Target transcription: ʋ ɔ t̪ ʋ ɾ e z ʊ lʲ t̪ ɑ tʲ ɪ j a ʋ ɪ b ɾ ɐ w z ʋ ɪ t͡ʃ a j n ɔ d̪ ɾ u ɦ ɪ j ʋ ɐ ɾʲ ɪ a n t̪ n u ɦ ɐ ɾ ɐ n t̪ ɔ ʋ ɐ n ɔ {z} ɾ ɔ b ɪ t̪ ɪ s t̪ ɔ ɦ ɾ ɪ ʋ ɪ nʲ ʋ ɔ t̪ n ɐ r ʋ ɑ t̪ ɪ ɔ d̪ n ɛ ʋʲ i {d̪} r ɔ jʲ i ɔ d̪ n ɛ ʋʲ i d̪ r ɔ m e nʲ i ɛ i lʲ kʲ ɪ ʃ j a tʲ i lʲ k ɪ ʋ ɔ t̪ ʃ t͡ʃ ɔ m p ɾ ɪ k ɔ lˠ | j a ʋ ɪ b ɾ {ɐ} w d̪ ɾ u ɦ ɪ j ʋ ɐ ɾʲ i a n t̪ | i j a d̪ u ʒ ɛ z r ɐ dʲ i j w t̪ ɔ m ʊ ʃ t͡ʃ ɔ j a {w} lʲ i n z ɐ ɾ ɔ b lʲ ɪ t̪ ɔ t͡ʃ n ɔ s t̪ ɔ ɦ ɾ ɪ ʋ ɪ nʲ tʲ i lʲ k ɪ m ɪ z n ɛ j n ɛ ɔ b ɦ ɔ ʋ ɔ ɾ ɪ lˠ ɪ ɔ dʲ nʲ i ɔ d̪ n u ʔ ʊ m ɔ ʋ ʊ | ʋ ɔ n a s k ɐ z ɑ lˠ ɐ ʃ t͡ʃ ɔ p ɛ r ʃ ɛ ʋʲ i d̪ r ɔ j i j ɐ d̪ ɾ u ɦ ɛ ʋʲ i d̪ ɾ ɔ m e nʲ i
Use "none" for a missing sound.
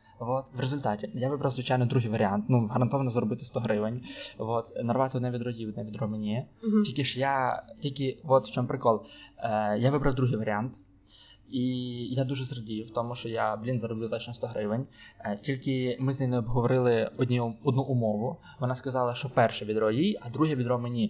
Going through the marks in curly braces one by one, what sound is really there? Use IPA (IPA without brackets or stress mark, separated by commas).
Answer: z, d̪, ɐ, b